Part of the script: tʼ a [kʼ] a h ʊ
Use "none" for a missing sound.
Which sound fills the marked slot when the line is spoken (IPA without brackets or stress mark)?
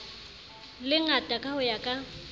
kʼ